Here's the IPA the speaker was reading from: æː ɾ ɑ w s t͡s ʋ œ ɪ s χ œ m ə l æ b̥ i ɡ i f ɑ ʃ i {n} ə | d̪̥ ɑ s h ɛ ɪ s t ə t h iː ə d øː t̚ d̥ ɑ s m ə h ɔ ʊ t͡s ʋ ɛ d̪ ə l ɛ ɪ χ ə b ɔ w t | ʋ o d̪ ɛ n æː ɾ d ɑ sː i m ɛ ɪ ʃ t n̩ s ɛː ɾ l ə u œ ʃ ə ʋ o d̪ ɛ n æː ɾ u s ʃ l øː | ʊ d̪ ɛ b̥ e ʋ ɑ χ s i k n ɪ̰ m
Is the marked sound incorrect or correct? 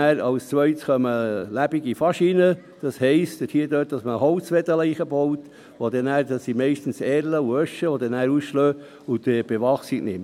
correct